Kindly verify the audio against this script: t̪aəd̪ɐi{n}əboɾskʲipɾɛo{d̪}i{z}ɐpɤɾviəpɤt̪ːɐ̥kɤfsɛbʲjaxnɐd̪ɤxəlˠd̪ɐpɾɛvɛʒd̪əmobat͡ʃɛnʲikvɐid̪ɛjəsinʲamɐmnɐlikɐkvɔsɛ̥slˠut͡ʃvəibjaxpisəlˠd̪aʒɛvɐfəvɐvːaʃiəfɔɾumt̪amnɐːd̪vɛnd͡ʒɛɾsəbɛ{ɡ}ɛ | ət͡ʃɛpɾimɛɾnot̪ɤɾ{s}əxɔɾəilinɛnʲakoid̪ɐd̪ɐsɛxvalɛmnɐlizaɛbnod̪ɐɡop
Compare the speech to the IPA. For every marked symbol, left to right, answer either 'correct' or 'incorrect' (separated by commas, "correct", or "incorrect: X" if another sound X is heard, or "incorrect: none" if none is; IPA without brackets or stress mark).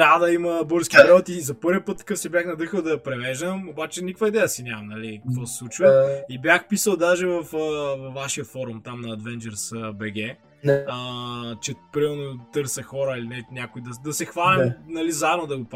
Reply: incorrect: m, incorrect: t̪, correct, correct, correct